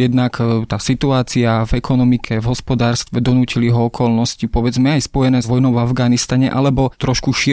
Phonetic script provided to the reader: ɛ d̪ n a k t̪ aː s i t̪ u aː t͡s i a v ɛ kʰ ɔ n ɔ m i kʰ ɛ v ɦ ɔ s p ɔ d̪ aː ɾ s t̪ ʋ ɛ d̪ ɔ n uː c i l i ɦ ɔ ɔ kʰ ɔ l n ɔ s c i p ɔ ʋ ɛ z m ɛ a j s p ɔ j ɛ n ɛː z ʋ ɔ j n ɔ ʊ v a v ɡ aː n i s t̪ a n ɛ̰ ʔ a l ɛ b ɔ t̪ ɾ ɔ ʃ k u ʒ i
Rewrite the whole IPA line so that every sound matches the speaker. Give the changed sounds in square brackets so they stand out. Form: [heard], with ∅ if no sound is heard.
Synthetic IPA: ɛ d̪ n a k t̪ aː s i t̪ u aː t͡s i a v ɛ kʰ ɔ n ɔ m i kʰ ɛ v ɦ ɔ s p ɔ d̪ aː ɾ s t̪ ʋ ɛ d̪ ɔ n uː c i l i ɦ ɔ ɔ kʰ ɔ l n ɔ s c i p ɔ ʋ ɛ [d͡z] m ɛ a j s p ɔ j ɛ n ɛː z ʋ ɔ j n ɔ ʊ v a v ɡ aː n i s t̪ a [ɲ] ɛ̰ ʔ a l ɛ b ɔ t̪ ɾ ɔ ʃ k u [ʃ] i